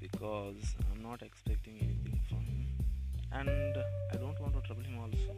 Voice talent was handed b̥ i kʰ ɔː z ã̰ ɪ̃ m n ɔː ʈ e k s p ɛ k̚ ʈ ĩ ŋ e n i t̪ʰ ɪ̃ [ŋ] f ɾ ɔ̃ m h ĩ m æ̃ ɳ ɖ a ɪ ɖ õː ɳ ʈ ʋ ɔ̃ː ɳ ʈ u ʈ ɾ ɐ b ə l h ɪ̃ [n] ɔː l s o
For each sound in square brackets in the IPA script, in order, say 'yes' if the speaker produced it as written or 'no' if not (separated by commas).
yes, no